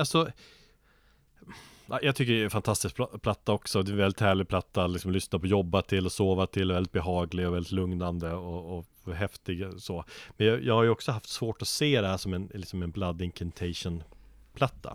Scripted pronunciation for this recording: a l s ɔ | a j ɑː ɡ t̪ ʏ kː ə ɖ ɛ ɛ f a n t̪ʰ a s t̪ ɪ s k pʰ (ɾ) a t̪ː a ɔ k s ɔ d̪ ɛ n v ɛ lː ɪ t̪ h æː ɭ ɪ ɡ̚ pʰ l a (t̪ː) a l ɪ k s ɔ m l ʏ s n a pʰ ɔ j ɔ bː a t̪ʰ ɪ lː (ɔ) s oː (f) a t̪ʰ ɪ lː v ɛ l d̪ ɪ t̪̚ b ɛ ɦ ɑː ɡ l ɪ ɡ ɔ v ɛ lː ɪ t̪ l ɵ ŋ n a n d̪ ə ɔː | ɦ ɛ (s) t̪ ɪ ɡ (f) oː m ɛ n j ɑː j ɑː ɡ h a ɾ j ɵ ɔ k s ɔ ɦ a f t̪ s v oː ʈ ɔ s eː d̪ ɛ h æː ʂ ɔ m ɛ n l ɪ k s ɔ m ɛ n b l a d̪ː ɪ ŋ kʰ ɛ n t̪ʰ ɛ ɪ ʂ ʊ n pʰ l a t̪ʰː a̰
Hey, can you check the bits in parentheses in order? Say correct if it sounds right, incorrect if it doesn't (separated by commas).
incorrect, correct, correct, incorrect, incorrect, incorrect